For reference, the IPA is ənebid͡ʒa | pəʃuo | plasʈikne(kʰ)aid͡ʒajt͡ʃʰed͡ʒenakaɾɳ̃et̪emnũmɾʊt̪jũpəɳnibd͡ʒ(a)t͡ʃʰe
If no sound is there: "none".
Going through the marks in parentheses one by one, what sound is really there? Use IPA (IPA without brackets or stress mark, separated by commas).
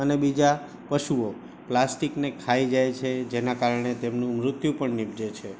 kʰ, e